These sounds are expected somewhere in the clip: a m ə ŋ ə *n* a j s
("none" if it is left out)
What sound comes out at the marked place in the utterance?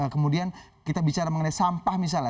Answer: n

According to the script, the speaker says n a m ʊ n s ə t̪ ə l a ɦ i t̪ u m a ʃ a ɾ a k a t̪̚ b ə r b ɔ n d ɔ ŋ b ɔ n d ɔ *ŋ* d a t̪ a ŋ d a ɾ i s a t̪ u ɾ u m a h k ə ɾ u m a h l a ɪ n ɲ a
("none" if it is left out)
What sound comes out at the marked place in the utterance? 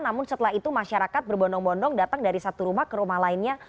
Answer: ŋ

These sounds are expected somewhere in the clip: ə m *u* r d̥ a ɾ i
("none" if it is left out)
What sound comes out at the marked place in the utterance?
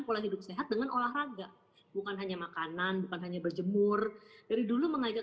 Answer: ʊ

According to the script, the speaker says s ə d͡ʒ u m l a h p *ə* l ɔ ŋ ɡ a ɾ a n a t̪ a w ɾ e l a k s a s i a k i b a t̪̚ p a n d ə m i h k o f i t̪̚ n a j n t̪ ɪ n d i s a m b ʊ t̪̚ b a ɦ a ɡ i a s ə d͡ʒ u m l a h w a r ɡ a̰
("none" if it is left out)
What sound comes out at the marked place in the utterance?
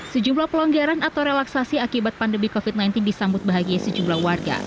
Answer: ə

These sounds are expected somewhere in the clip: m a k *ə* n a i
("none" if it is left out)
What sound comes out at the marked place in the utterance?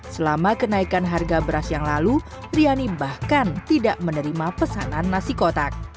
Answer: ə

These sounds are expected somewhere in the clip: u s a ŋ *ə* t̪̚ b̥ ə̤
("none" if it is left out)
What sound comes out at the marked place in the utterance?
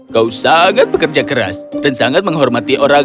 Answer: a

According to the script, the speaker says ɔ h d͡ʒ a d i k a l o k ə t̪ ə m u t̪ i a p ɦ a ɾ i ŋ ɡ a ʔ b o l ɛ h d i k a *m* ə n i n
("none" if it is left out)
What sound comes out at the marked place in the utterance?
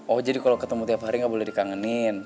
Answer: ŋ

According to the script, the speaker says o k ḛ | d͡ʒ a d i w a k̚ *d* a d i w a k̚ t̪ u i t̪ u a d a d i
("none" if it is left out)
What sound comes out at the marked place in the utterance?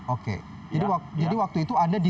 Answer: d͡ʒ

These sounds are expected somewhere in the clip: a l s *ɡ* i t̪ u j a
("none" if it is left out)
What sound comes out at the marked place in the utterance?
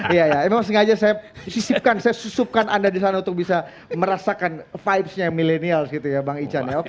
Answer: ɡ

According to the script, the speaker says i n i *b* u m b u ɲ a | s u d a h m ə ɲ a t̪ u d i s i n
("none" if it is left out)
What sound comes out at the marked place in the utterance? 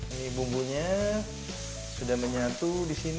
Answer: b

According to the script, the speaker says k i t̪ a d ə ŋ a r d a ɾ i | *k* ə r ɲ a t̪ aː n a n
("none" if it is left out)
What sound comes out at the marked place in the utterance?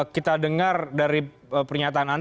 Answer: p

